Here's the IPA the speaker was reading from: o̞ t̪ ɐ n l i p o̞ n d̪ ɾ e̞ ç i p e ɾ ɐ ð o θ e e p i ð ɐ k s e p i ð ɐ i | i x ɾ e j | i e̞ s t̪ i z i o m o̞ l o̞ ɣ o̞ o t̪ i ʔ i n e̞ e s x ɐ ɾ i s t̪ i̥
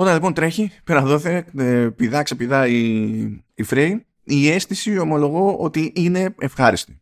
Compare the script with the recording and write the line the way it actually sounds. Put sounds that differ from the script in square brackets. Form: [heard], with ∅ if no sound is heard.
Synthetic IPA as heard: o̞ t̪ ɐ n l i p o̞ n [t̪] ɾ e̞ ç i p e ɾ ɐ ð o θ e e p i ð ɐ k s e p i ð ɐ i | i [f] ɾ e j | i e̞ s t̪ i [s] i o m o̞ l o̞ ɣ o̞ o t̪ i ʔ i n e̞ e [f] x ɐ ɾ i s t̪ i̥